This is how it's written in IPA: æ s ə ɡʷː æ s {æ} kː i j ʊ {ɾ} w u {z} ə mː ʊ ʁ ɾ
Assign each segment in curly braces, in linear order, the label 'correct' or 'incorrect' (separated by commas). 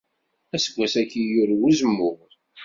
correct, correct, correct